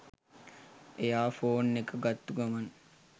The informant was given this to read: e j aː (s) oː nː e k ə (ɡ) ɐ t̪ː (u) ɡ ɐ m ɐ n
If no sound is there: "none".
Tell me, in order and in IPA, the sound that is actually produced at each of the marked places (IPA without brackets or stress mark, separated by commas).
f, ɡ, u